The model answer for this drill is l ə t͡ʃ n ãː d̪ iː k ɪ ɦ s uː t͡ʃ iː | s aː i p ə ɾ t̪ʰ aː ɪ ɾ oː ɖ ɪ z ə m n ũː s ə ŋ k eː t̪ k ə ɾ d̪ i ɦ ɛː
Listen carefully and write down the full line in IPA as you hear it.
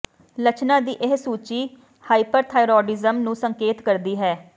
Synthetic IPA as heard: l ə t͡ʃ n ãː d̪ iː ʔ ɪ ɦ s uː t͡ʃ iː | h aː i p ə ɾ t̪ʰ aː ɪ ɾ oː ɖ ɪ z ə m n ũː s ə ŋ k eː t̪ k ə ɾ d̪ iː ɦ ɛː